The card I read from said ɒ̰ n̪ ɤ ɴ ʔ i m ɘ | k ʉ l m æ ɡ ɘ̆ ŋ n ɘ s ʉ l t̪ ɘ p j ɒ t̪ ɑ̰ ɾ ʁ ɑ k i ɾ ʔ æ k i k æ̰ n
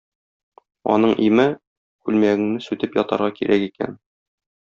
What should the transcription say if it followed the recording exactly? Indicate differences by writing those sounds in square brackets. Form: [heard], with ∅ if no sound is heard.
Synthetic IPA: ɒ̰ n̪ ɤ ɴ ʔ i m ɘ | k ʉ l m æ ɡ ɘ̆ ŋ n ɘ s ʉ [∅] t̪ ɘ p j ɒ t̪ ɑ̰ ɾ ʁ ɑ k i ɾ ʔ æ k i k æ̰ n

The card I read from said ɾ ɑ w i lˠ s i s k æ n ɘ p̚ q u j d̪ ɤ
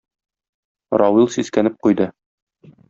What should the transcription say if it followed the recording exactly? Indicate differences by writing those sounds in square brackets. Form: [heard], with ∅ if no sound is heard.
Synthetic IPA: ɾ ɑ w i lˠ s i s k æ n ɘ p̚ q u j d̪ ɤ

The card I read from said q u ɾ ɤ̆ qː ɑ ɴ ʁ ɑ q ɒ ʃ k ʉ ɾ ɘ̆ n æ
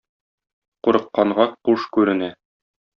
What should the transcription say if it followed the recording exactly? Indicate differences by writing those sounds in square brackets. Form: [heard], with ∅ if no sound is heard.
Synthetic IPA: q u ɾ ɤ̆ qː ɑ ɴ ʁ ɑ q [u] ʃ k ʉ ɾ ɘ̆ n æ

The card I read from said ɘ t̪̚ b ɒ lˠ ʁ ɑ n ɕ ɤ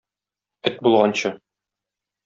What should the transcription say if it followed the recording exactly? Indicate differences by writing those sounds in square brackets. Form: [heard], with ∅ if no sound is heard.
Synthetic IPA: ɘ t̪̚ b [u] lˠ ʁ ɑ n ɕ ɤ

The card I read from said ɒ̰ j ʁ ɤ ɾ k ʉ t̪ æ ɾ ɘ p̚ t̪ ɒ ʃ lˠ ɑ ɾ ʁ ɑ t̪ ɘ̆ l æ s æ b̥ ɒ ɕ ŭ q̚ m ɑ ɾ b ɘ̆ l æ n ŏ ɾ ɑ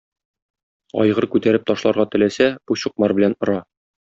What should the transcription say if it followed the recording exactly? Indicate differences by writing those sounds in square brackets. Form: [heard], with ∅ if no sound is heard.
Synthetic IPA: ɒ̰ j ʁ ɤ ɾ k ʉ t̪ æ ɾ ɘ p̚ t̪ ɒ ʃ lˠ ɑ ɾ ʁ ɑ t̪ ɘ̆ l æ s æ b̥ [u] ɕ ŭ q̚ m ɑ ɾ b ɘ̆ l æ n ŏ ɾ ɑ

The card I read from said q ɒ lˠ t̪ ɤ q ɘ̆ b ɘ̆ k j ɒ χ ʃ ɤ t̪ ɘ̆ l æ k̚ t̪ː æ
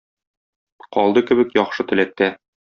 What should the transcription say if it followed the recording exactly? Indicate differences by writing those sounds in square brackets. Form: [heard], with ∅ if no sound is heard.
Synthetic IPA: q ɒ lˠ [d̪] ɤ [k] ɘ̆ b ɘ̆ k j ɒ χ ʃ ɤ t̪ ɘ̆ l æ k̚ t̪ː æ

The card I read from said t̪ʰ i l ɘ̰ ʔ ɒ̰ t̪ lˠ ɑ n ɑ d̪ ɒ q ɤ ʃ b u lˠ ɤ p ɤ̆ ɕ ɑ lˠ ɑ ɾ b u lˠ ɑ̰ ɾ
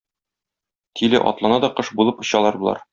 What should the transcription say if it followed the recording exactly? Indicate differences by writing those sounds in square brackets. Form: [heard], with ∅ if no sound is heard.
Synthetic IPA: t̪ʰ i l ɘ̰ ʔ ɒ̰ t̪ lˠ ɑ n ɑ d̪ ɒ q ɤ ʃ b u lˠ ɤ p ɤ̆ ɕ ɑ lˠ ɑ ɾ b u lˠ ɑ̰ ɾ

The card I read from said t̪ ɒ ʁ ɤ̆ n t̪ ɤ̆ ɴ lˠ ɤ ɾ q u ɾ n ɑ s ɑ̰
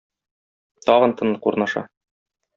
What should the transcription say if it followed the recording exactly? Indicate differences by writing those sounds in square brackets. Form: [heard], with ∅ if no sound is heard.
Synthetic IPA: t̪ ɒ ʁ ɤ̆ n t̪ ɤ̆ [n] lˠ ɤ [∅] q u ɾ n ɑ [ʃ] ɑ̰

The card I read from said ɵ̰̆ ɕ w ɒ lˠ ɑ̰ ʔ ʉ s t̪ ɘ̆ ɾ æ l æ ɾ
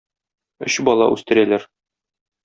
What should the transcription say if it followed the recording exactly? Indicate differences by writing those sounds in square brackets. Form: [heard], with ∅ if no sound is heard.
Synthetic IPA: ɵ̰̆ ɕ [b] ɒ lˠ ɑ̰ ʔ ʉ s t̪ ɘ̆ ɾ æ l æ ɾ

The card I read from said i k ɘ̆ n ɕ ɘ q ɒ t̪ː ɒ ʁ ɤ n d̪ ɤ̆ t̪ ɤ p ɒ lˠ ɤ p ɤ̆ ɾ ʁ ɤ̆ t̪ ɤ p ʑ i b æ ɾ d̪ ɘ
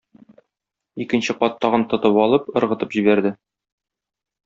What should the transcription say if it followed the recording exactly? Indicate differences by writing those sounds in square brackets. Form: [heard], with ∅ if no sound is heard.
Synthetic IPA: i k ɘ̆ n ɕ ɘ q ɒ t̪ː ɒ ʁ ɤ n [t̪] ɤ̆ t̪ ɤ p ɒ lˠ ɤ p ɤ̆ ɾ ʁ ɤ̆ t̪ ɤ p ʑ i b æ ɾ d̪ ɘ

